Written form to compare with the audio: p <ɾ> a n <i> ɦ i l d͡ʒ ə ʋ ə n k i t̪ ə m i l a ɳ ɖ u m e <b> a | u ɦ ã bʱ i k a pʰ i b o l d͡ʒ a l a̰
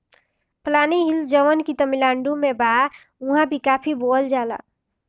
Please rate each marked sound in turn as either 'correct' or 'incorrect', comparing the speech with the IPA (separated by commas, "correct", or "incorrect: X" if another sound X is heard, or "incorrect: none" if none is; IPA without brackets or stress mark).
incorrect: l, correct, correct